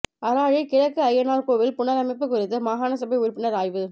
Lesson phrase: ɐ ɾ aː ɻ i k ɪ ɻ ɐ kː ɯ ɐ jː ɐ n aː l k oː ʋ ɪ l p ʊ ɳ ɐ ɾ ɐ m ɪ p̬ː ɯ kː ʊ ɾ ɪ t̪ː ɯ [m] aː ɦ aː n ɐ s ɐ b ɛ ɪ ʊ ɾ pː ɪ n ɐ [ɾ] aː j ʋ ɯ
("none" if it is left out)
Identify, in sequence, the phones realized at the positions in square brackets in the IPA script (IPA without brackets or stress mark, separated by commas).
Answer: m, ɾ